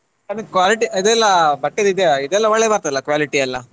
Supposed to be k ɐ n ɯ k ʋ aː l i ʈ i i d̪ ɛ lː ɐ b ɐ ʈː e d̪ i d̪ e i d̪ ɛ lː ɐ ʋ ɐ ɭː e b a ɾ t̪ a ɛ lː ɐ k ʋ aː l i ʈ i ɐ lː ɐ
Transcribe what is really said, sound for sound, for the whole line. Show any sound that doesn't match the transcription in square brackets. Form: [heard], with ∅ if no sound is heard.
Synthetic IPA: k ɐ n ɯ k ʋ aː l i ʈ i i d̪ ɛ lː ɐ b ɐ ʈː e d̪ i d̪ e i d̪ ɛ lː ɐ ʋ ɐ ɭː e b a ɾ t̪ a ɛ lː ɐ k ʋ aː l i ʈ i ɐ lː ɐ